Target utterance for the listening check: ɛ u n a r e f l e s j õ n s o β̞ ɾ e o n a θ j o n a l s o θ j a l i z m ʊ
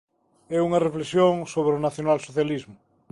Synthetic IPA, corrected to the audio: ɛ u ŋ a r e f l e s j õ ŋ s o β̞ ɾ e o n a θ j o n a l s o θ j a l i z m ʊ